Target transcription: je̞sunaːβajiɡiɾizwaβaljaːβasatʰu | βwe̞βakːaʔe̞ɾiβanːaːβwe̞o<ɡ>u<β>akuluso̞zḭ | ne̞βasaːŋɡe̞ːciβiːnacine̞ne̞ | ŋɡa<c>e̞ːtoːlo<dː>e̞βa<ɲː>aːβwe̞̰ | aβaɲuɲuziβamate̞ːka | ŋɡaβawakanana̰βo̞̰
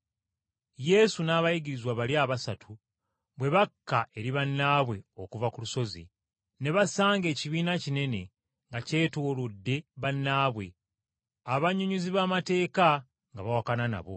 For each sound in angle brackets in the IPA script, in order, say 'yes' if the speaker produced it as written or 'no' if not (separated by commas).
no, no, yes, yes, no